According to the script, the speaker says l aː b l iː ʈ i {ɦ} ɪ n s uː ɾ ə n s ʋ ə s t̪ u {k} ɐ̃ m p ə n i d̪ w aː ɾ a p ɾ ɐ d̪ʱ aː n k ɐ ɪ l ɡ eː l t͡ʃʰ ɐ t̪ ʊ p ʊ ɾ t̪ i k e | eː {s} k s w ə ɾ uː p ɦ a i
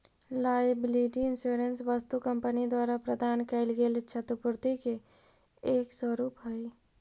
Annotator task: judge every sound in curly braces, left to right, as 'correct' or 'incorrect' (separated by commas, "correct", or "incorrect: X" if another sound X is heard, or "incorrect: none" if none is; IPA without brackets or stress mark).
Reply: incorrect: none, correct, incorrect: none